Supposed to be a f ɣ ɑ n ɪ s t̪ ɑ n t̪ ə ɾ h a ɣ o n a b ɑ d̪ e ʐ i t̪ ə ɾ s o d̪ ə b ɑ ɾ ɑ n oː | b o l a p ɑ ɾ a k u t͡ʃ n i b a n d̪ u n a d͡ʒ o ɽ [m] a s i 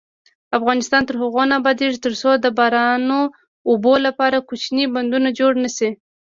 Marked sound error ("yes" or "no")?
yes